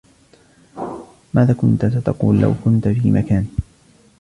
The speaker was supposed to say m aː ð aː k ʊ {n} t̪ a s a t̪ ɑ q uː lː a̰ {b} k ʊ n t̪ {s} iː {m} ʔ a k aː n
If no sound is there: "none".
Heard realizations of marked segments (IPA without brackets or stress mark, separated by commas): n, w, f, m